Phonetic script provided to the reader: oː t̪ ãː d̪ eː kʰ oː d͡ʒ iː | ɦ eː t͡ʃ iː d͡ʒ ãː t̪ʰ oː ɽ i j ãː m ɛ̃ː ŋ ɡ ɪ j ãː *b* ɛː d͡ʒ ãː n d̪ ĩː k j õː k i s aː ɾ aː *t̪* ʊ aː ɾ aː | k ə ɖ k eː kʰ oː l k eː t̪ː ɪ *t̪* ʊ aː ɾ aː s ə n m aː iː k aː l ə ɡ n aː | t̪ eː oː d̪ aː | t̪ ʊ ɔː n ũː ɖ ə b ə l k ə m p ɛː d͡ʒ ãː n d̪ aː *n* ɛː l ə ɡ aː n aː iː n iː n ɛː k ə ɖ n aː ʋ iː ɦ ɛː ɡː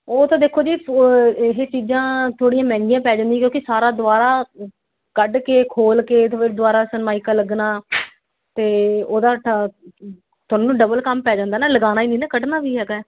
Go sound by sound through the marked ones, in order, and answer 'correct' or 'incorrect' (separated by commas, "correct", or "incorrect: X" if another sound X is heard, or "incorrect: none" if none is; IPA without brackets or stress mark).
incorrect: p, incorrect: d̪, incorrect: d̪, correct